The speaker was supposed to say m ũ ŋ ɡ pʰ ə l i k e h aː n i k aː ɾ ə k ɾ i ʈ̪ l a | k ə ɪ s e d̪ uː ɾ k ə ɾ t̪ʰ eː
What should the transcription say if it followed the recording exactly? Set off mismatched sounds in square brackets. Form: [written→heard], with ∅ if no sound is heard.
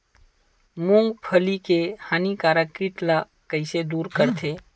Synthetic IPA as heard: m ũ ŋ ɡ pʰ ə l i k e h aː n i k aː ɾ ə k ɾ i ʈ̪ l a | k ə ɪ s e d̪ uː ɾ k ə ɾ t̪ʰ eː